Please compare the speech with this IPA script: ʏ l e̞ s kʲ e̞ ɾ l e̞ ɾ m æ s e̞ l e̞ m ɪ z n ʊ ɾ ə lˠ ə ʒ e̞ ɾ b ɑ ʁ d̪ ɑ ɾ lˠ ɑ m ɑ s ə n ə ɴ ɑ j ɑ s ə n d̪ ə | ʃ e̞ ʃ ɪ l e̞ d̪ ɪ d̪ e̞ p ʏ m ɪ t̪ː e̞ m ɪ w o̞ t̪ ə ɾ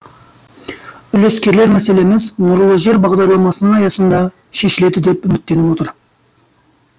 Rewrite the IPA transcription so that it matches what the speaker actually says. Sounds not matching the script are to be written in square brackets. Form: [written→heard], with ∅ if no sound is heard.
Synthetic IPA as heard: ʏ l e̞ s kʲ e̞ ɾ l e̞ ɾ m æ s e̞ l e̞ m ɪ z n ʊ ɾ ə lˠ ə ʒ e̞ ɾ b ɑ ʁ d̪ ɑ ɾ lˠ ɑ m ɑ s ə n ə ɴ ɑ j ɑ s ə n d̪ [ə→ɑ] | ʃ e̞ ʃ ɪ l e̞ d̪ ɪ d̪ e̞ p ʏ m ɪ t̪ː e̞ [m→n] ɪ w o̞ t̪ ə ɾ